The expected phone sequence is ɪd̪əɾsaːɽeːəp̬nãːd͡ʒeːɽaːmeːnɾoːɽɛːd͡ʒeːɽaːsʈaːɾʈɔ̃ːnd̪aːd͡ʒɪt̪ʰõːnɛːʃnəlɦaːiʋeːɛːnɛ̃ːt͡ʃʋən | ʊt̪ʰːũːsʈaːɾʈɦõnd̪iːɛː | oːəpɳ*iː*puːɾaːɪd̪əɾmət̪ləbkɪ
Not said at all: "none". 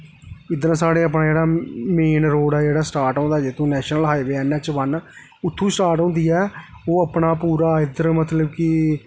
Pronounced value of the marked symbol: aː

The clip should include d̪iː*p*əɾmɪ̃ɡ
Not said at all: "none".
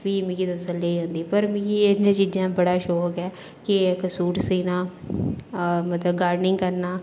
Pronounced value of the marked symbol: p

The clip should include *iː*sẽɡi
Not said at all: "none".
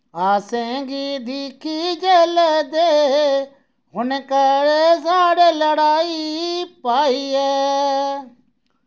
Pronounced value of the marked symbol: aː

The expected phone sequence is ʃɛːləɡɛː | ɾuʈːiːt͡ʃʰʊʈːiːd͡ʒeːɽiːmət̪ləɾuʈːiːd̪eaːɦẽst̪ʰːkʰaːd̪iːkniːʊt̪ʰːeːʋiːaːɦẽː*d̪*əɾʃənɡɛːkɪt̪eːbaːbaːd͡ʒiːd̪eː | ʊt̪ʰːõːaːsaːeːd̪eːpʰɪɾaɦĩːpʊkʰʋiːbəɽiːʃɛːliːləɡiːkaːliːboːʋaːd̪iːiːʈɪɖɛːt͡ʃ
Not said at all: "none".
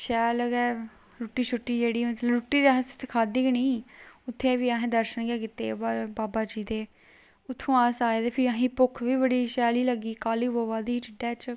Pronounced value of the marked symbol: d̪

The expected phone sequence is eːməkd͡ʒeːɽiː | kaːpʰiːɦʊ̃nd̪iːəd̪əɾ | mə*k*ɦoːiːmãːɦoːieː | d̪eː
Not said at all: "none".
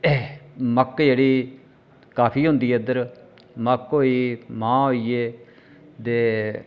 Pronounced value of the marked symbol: k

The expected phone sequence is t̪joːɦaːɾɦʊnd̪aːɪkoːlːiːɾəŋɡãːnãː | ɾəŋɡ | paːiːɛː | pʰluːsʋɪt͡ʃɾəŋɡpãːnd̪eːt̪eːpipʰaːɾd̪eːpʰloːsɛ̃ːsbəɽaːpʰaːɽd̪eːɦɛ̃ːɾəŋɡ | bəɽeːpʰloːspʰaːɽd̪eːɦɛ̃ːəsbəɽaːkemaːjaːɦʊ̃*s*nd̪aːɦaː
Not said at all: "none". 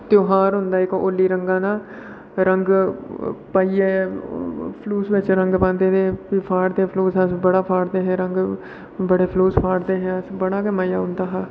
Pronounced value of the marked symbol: none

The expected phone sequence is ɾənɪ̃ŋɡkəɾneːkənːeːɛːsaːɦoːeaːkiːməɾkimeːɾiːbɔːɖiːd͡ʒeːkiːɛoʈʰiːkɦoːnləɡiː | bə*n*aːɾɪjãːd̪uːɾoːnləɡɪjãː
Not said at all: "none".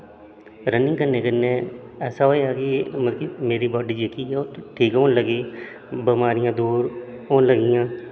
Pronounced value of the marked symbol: m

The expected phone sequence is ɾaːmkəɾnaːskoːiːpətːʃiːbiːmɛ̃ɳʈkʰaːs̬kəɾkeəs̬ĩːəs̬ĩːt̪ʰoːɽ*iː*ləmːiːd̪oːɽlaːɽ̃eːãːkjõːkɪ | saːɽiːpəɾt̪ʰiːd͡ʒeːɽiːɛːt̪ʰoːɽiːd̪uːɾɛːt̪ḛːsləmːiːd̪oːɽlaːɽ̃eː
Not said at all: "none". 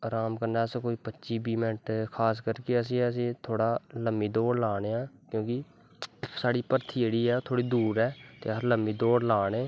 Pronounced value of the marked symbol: aː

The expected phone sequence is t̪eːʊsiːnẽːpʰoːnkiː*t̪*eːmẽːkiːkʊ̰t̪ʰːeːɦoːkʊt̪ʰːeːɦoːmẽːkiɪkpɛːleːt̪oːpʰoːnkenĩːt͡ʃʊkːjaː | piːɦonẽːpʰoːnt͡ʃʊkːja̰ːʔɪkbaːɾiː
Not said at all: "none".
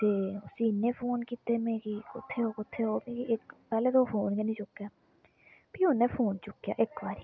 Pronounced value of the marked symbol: t̪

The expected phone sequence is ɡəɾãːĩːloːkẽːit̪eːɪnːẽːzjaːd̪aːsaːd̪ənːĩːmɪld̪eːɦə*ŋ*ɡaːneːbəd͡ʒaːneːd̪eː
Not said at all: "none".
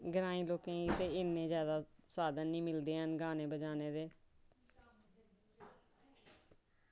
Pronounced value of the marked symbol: n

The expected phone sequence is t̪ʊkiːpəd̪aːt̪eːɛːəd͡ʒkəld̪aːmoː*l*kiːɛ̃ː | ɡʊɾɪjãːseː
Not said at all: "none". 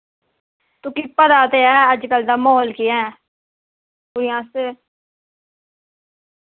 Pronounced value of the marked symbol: l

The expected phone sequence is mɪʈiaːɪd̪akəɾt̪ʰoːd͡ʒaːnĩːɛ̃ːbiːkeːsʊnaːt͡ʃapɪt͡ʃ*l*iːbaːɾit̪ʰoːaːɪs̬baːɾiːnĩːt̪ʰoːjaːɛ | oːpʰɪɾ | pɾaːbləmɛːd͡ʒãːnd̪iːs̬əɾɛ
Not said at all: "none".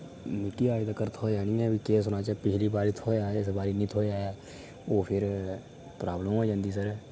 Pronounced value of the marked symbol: l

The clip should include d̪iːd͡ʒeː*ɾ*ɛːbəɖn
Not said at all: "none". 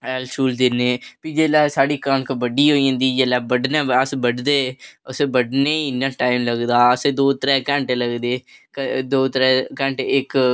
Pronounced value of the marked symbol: l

